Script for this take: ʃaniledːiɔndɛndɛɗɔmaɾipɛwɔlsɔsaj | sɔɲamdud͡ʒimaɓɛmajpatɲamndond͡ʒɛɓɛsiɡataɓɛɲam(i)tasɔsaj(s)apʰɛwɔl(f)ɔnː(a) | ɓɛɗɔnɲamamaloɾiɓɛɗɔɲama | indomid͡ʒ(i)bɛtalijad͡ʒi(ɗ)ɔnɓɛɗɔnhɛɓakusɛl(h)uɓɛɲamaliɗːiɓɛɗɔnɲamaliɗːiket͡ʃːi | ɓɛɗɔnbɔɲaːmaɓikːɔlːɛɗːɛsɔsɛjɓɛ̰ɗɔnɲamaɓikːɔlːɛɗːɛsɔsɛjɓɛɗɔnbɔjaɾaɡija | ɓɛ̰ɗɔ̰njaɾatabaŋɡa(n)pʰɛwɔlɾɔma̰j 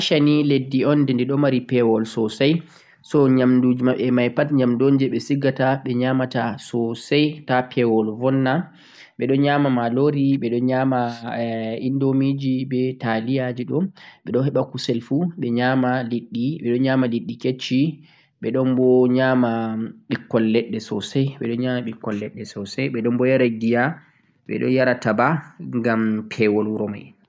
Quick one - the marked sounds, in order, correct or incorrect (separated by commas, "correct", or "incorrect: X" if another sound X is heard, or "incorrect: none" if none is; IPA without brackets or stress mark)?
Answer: incorrect: a, incorrect: t, incorrect: v, correct, correct, correct, incorrect: f, incorrect: m